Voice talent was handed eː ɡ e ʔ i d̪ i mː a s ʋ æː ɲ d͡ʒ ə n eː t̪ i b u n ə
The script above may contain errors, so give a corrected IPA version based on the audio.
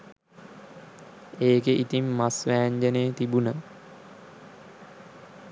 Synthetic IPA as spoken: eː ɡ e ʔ i t̪ i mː a s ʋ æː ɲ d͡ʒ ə n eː t̪ i b u n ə